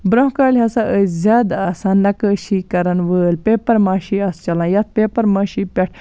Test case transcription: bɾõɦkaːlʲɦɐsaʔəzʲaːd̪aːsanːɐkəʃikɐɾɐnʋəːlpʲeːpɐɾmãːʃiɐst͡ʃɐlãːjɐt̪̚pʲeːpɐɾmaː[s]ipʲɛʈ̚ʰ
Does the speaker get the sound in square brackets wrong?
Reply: yes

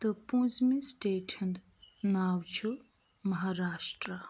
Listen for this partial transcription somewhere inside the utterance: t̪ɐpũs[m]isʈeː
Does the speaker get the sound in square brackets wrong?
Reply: no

